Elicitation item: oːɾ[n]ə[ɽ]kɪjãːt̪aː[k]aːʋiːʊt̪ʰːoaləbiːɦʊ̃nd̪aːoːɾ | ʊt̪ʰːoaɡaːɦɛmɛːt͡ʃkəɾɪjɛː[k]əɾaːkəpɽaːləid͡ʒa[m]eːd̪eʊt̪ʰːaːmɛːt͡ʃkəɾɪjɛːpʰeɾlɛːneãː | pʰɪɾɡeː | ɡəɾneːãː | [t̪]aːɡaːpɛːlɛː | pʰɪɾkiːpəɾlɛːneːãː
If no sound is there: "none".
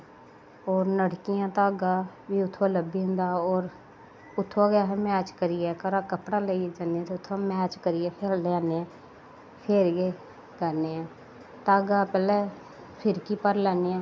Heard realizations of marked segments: n, ɽ, ɡ, k, n, t̪

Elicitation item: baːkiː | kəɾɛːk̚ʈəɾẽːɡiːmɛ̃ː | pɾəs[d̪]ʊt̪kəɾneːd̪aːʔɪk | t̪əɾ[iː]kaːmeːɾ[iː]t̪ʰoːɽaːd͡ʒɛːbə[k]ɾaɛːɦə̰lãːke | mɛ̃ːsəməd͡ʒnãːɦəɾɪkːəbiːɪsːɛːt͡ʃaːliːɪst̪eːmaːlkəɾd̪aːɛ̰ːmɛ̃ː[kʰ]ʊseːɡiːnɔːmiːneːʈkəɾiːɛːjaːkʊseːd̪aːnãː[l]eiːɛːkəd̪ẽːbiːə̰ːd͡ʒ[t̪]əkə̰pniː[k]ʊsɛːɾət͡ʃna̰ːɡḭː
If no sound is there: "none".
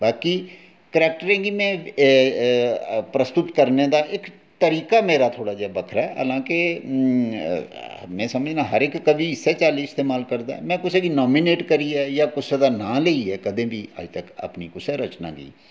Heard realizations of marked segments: t̪, iː, aː, kʰ, k, l, t̪, k

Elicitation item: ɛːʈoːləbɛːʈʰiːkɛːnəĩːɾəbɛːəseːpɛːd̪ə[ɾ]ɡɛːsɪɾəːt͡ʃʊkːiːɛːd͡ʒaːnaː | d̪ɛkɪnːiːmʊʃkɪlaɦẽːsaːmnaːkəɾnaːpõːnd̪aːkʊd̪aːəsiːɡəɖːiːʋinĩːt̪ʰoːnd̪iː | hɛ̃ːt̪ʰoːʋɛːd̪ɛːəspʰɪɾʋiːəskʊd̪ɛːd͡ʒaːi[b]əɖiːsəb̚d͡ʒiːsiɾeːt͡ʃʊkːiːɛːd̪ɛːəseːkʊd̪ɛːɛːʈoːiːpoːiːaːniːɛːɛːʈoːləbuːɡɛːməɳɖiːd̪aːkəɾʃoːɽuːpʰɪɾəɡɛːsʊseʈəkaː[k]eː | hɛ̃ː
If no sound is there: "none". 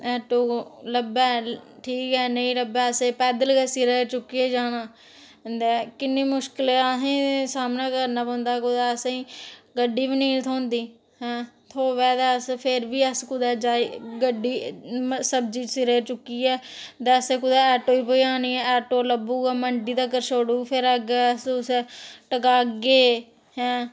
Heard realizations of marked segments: l, ɡ, ɡ

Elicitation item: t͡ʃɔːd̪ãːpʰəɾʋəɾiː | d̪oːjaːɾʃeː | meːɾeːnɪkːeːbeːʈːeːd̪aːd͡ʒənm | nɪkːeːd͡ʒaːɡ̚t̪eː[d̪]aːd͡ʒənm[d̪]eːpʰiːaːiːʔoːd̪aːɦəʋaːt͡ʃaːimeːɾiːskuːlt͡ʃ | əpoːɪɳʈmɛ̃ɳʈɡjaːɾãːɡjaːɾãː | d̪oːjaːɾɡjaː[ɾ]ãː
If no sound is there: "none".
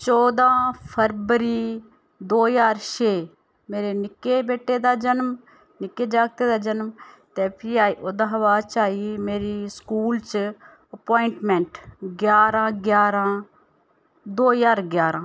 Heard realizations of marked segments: d̪, t̪, ɾ

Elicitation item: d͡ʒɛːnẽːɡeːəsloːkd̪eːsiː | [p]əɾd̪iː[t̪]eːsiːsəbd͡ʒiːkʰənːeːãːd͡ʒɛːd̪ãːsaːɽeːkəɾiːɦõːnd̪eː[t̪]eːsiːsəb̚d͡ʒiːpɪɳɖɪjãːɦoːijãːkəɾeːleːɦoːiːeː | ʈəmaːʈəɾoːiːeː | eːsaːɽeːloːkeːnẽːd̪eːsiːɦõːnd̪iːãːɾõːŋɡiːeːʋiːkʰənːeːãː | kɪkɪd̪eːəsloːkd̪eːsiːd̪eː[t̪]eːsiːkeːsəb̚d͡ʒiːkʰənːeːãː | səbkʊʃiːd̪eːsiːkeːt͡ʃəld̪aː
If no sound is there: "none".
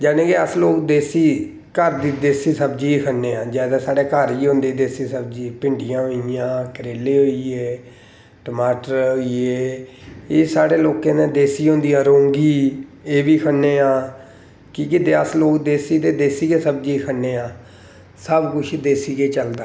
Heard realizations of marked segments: k, d̪, d̪, d̪

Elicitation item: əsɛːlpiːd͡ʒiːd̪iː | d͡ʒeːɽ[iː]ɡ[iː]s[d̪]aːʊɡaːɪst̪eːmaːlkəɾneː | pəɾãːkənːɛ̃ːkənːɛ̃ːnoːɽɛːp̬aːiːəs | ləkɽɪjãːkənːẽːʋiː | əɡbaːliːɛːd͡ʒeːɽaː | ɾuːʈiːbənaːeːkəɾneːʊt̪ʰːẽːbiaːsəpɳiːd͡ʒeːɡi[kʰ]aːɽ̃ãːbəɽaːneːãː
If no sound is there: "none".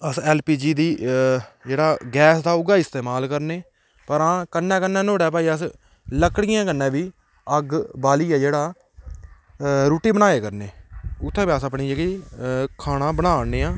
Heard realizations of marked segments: aː, ɛː, d̪, kʰ

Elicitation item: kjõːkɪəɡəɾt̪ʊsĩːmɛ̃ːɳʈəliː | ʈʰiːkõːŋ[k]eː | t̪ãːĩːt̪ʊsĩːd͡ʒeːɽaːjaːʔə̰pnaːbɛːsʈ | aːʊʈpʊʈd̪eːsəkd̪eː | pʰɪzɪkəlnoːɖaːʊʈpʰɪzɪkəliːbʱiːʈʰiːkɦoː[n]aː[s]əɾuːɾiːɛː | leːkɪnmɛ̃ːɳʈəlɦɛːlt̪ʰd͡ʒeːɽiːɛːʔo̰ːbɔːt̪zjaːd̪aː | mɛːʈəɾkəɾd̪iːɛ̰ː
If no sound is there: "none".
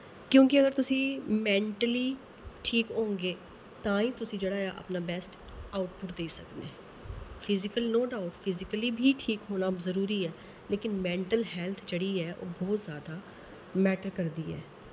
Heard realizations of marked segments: ɡ, n, z

